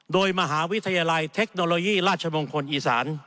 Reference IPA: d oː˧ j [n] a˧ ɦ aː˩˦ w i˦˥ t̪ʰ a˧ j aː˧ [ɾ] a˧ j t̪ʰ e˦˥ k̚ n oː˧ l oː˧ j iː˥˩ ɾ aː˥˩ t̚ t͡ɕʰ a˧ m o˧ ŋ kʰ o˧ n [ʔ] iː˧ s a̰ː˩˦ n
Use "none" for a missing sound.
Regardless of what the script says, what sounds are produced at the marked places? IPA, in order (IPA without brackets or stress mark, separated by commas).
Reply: m, l, ʔ